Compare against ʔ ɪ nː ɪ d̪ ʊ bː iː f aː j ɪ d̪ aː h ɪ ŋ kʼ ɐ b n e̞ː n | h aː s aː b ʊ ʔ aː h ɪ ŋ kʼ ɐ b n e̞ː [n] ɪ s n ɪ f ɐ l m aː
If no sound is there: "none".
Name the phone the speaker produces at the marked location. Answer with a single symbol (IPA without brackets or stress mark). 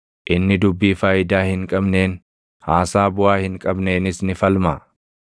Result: n